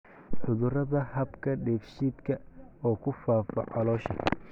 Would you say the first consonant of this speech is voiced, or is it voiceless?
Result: voiceless